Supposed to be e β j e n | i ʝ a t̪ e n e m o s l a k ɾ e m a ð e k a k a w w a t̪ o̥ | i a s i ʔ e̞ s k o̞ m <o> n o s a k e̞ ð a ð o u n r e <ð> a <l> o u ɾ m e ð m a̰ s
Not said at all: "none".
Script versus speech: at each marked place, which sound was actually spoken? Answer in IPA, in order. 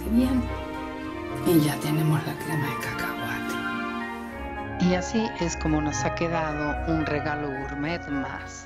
o, ɣ, l

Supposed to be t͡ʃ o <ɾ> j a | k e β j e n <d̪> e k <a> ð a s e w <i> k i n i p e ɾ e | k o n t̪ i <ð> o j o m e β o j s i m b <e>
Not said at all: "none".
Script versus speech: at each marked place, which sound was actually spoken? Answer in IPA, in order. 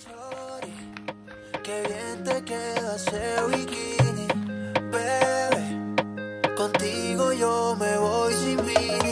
ɾ, t̪, e, i, ɣ, i

